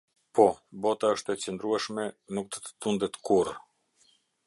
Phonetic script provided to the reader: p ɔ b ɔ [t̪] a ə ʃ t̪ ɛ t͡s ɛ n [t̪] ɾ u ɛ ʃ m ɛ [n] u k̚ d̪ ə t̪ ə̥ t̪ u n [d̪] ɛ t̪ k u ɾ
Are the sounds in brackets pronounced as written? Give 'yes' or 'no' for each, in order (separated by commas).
yes, no, yes, yes